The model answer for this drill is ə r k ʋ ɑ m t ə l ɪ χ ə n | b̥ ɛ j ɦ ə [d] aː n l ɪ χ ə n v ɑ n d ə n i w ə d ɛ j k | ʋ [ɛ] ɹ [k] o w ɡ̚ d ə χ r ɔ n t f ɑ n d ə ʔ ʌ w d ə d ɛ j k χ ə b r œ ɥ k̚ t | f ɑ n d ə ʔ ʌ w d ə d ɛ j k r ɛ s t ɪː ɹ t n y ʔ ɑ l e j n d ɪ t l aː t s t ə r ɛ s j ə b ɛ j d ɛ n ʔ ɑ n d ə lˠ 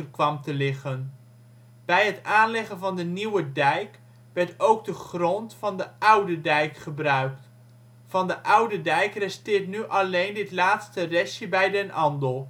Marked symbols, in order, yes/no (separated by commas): no, yes, no